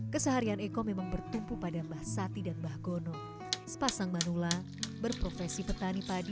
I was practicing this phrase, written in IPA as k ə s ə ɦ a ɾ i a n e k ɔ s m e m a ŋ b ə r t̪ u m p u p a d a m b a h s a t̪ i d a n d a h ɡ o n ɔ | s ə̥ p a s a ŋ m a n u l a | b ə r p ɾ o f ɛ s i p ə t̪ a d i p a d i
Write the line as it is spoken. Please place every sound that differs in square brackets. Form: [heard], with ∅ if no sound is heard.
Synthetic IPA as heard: k ə s ə ɦ a ɾ i a n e k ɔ [∅] m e m a ŋ b ə r t̪ u m p u p a d a m b a h s a t̪ i d a n [b] a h ɡ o n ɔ | s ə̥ p a s a ŋ m a n u l a | b ə r p ɾ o f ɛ s i p ə t̪ a [n] i p a d i